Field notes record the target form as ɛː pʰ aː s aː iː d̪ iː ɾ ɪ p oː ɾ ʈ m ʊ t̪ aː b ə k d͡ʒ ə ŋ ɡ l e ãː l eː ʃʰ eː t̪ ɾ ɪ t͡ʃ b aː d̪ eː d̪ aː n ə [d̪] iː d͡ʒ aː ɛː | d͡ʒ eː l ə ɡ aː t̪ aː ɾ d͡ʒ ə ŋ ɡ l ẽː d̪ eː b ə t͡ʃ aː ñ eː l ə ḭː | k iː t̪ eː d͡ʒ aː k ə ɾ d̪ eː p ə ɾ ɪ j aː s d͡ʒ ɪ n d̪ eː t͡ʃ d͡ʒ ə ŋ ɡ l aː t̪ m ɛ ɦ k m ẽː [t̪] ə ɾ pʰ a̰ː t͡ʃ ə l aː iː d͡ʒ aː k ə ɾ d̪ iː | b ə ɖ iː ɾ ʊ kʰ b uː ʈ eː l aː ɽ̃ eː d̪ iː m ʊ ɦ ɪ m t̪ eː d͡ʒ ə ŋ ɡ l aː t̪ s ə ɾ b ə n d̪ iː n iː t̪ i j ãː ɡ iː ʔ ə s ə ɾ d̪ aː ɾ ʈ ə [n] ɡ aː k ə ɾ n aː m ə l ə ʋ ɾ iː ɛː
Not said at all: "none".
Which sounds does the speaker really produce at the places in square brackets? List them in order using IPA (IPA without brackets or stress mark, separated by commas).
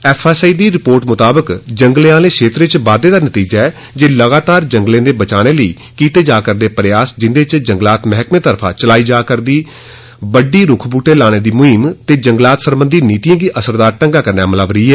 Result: t̪, t̪, ŋ